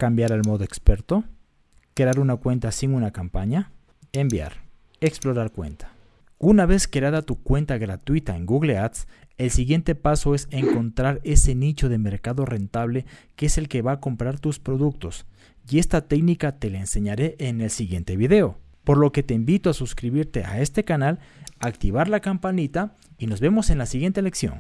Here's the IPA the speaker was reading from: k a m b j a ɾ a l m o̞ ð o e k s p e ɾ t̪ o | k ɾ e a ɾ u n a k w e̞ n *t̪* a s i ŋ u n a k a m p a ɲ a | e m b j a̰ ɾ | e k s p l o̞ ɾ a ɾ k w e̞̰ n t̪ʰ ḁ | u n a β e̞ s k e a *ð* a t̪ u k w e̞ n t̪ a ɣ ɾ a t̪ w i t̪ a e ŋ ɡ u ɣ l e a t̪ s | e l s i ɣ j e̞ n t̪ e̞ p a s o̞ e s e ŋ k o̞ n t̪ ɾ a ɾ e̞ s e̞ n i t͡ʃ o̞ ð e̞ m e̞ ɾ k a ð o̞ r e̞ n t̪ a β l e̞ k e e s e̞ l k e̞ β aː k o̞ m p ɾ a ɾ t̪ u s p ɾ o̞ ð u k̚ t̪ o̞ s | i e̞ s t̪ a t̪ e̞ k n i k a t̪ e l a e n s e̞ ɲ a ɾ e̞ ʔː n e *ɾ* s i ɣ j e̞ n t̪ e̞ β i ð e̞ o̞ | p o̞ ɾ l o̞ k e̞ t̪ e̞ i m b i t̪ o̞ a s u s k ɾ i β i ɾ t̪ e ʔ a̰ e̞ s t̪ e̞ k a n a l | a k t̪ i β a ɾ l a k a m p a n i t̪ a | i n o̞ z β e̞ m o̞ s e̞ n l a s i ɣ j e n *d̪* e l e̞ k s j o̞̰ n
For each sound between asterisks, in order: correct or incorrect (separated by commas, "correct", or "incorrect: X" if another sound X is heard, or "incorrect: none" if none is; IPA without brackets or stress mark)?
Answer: correct, correct, incorrect: l, incorrect: t̪